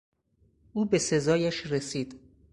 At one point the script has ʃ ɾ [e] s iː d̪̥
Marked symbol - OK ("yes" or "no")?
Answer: yes